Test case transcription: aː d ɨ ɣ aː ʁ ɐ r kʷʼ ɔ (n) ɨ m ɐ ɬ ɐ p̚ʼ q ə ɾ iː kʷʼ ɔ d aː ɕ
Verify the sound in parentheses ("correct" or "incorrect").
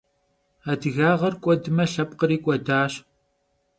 incorrect